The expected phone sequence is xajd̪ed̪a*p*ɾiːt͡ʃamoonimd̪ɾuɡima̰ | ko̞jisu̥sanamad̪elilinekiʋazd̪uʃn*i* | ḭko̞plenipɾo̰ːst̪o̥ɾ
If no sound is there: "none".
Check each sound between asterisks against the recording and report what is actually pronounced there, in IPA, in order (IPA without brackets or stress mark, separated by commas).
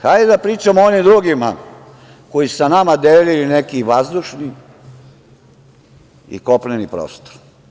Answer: p, i